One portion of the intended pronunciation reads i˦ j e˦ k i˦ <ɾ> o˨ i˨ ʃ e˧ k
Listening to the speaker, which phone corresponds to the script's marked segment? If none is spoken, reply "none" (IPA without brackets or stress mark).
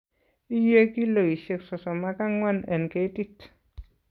l